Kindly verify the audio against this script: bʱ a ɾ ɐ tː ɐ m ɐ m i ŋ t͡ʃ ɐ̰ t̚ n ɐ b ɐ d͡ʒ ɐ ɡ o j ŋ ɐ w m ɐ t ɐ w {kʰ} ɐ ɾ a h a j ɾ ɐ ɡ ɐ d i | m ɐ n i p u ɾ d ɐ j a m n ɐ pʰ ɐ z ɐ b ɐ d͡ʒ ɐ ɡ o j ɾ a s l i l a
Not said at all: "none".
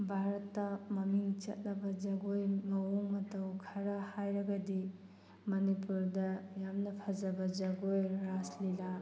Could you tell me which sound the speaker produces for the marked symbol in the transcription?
kʰ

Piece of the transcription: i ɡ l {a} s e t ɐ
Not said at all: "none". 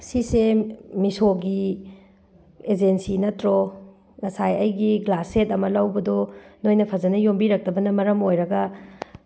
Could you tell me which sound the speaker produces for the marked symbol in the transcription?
a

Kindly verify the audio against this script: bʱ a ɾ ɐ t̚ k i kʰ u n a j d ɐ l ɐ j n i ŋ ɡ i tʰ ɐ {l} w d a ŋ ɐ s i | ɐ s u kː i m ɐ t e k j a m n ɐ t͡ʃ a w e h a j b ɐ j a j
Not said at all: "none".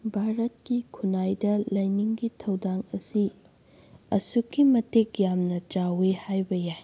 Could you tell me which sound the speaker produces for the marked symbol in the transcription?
none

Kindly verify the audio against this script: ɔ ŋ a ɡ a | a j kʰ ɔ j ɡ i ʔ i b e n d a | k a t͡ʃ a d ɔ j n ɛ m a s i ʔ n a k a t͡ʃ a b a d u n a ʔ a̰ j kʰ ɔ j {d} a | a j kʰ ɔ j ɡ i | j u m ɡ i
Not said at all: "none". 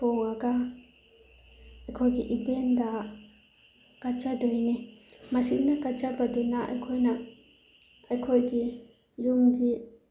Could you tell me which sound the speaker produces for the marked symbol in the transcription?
n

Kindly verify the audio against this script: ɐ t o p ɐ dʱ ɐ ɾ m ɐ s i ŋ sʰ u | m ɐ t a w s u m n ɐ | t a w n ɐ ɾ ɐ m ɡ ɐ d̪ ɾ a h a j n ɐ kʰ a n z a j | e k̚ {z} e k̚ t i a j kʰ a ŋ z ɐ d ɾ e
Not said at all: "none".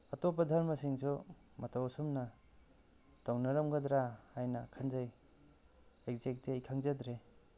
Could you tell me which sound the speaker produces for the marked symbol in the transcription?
z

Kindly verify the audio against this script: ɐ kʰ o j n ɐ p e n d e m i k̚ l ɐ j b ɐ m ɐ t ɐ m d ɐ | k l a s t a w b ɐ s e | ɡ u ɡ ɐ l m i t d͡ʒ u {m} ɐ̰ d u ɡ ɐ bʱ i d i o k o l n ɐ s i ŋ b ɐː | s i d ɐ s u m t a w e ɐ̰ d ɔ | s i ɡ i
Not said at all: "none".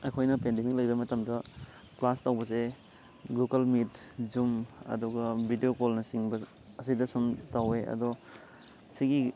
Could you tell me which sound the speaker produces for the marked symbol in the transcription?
m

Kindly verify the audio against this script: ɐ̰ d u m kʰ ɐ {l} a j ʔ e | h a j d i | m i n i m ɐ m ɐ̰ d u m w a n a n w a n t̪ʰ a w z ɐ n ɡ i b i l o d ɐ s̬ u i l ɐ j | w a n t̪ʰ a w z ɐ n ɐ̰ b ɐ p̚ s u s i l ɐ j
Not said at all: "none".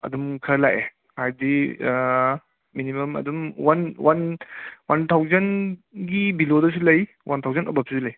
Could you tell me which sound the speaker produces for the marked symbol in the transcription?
l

